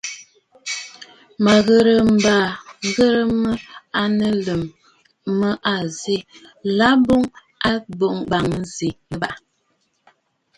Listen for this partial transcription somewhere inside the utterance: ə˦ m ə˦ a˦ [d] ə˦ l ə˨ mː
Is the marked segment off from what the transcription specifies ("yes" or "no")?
yes